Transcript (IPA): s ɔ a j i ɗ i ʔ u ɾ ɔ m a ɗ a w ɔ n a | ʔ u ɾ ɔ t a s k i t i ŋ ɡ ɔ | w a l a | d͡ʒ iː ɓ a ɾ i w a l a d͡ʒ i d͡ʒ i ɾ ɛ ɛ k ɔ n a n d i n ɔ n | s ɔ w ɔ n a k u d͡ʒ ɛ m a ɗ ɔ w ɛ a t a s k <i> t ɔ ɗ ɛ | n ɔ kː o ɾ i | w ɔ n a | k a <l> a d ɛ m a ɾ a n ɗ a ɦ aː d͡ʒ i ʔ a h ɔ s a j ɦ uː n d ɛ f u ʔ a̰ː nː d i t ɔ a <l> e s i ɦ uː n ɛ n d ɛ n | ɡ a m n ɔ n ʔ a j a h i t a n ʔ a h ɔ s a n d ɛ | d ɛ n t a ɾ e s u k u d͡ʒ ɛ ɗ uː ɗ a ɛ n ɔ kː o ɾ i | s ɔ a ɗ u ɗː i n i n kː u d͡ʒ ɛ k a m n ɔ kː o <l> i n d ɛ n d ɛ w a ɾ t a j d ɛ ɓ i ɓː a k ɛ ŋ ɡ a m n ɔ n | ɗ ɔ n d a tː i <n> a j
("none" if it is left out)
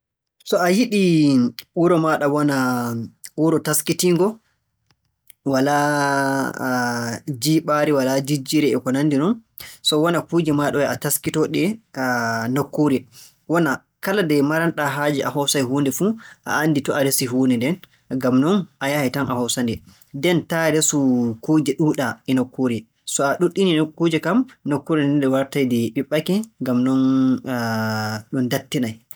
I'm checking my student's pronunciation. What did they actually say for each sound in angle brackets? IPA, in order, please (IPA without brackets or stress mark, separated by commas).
i, l, ɾ, ɾ, n